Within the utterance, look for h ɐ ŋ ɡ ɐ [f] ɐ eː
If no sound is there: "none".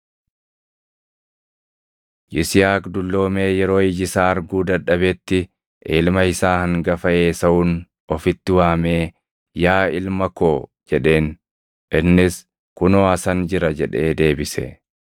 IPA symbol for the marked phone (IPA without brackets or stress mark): f